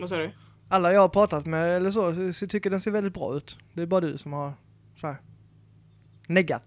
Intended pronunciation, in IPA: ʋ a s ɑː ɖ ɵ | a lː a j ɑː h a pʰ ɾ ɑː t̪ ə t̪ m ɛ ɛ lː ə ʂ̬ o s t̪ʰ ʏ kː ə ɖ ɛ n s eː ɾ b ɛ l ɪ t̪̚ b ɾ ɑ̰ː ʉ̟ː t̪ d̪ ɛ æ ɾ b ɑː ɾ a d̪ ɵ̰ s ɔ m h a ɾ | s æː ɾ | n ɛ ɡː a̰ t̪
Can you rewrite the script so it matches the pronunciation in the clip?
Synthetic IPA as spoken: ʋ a s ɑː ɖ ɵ | a lː a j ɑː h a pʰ ɾ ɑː t̪ a t̪ m ɛ ɛ lː ə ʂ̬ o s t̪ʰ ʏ kː ə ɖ ɛ n s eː ɾ v ɛ l ɪ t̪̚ b ɾ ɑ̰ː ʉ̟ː t̪ d̪ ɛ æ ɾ b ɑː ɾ a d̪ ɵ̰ s ɔ m h a ɾ | s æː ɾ | n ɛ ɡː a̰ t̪